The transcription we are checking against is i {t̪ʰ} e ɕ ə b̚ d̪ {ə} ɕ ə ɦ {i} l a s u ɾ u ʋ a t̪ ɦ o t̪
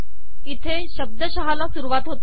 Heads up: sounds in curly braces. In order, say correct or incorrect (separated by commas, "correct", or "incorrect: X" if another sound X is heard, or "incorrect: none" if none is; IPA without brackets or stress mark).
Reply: correct, correct, incorrect: a